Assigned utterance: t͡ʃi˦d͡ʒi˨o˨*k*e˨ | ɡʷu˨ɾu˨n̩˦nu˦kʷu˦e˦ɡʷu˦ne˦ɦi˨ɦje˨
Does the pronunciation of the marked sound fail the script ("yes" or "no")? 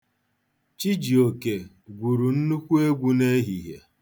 no